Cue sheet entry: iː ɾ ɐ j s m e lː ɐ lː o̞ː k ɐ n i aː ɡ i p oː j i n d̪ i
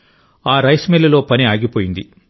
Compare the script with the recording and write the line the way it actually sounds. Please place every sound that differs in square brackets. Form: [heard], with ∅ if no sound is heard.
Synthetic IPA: [aː] ɾ ɐ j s m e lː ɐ [l] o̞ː [p] ɐ n i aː ɡ i p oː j i n d̪ i